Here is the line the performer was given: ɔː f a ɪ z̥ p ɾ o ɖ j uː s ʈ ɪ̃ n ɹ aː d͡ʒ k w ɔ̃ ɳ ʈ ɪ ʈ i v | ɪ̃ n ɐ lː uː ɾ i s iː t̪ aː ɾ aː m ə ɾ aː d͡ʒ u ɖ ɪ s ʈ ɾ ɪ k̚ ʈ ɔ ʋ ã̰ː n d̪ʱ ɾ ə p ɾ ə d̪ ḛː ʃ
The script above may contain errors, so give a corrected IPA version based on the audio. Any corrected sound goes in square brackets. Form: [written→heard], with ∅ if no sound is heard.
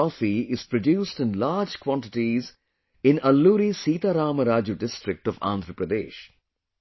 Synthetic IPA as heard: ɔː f [a→i] ɪ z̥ p ɾ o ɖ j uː s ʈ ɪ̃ n [ɹ→l] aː d͡ʒ k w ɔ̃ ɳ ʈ ɪ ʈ i [v→z] | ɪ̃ n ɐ lː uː ɾ i s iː t̪ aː ɾ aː m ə ɾ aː d͡ʒ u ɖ ɪ s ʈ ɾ ɪ k̚ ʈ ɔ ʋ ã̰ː n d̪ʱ ɾ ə p ɾ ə d̪ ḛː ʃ

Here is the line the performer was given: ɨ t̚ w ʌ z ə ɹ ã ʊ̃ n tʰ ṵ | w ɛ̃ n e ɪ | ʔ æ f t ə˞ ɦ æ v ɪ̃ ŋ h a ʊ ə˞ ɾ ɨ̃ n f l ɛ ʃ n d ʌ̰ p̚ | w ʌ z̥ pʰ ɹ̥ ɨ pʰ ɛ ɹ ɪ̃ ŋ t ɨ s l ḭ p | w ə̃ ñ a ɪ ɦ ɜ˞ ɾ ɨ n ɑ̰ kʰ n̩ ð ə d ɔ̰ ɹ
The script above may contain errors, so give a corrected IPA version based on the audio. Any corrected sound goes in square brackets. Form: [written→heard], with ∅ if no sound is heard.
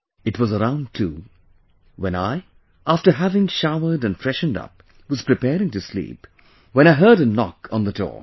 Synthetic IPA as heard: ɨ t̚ w ʌ z ə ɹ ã ʊ̃ n tʰ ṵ | w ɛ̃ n [e→a] ɪ | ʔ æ f t ə˞ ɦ æ v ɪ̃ ŋ [h→ʃ] a ʊ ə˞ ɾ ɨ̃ n f [l→ɹ] ɛ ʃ n d ʌ̰ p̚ | w ʌ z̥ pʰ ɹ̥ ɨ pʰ ɛ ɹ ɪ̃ ŋ t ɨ s l ḭ p | w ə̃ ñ a ɪ ɦ ɜ˞ ɾ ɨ n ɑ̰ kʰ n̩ ð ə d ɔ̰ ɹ

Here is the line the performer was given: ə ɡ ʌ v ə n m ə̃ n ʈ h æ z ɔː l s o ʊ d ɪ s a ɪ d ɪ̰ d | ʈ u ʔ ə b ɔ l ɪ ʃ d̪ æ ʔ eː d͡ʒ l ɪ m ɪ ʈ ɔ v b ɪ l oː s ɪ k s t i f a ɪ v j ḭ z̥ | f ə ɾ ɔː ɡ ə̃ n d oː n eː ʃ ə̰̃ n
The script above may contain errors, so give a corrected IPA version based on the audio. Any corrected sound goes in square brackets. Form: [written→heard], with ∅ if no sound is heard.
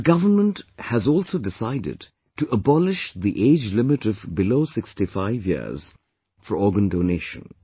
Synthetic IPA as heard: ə ɡ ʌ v ə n m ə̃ n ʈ h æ z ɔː l s o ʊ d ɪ s a ɪ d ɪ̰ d | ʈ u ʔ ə b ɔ l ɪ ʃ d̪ [æ→i] ʔ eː d͡ʒ l ɪ m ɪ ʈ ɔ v b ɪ l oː s ɪ k s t i f a ɪ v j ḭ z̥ | f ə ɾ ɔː ɡ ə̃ n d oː n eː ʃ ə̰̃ n

